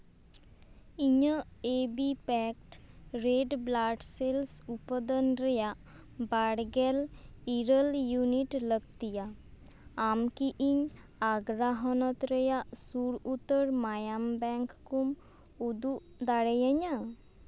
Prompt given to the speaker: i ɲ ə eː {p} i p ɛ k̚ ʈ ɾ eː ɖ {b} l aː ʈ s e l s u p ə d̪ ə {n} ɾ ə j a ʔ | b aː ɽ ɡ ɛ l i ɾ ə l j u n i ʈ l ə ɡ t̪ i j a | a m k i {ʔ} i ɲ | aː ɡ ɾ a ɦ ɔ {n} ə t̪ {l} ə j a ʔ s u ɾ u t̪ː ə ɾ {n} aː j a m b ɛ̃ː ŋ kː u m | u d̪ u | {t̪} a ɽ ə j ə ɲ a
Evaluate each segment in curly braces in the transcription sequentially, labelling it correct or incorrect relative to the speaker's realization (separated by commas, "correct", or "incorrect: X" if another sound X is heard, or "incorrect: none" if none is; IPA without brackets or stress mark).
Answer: incorrect: b, correct, correct, correct, correct, incorrect: ɾ, incorrect: m, incorrect: d̪